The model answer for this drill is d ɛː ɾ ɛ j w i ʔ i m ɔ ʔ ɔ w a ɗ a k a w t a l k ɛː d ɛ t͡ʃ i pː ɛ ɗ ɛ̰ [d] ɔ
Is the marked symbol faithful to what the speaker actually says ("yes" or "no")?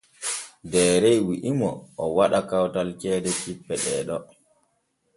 no